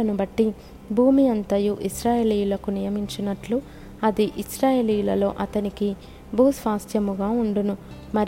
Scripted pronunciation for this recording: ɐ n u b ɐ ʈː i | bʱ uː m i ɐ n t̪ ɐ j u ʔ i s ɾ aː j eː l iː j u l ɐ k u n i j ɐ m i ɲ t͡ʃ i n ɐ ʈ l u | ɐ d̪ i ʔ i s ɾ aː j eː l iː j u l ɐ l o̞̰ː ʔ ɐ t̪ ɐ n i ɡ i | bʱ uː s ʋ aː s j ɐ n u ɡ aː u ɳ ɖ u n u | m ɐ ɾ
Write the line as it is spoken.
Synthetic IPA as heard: ɐ n u b ɐ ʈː i | bʱ uː m i ɐ n t̪ ɐ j u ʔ i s ɾ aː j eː l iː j u l ɐ k u n i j ɐ m i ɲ t͡ʃ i n ɐ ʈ l u | ɐ d̪ i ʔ i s ɾ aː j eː l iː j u l ɐ l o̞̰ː ʔ ɐ t̪ ɐ n i k i | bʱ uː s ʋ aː s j ɐ m u ɡ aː u ɳ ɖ u n u | m ɐ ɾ